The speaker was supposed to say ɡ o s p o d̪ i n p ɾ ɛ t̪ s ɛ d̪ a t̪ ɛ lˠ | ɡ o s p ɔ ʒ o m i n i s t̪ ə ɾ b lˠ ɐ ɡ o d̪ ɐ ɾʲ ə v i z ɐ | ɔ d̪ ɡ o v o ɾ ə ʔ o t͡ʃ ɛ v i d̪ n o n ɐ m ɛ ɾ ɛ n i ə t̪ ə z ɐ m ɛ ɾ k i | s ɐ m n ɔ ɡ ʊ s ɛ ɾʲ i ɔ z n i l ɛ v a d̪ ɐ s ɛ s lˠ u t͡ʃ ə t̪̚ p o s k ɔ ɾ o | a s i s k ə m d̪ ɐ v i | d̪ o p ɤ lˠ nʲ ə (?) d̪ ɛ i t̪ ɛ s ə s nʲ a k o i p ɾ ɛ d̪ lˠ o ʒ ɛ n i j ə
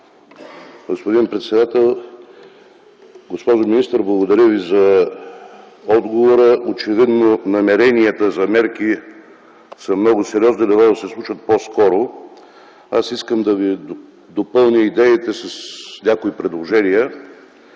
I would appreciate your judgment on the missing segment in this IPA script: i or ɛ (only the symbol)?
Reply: i